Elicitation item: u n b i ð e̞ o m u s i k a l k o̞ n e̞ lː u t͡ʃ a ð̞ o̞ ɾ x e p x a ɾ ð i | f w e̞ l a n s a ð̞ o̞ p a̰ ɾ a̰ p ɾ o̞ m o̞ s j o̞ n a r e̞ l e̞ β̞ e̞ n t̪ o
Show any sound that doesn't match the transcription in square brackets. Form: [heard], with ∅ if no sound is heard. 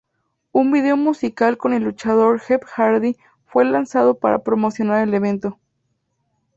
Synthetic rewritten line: u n b i ð e̞ o m u s i k a l k o̞ n e̞ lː u t͡ʃ a ð̞ o̞ ɾ x e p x a ɾ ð i | f w e̞ l a n s a ð̞ o̞ p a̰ ɾ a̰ p ɾ o̞ m o̞ s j o̞ n a [ɾ] e̞ l e̞ β̞ e̞ n t̪ o